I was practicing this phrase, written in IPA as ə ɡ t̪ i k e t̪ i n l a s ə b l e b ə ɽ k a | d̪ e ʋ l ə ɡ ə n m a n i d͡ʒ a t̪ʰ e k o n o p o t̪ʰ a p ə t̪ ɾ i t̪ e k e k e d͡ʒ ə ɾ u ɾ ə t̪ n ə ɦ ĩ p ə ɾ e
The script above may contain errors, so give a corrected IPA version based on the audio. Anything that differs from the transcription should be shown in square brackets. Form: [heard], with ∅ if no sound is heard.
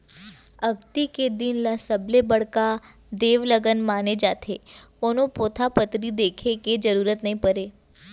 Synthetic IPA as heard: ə ɡ t̪ i k e [d̪] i n l a s ə b l e b ə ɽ k a | d̪ e ʋ l ə ɡ ə n m a n [e] d͡ʒ a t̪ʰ e k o n o p o t̪ʰ a p ə t̪ ɾ i [d̪] e [kʰ] e k e d͡ʒ ə ɾ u ɾ ə t̪ n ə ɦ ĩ p ə ɾ e